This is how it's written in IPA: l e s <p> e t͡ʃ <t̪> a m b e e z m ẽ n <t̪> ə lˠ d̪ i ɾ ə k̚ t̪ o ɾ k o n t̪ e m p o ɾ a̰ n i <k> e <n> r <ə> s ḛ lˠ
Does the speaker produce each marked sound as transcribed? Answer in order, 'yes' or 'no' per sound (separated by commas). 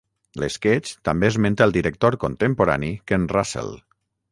no, yes, yes, yes, yes, no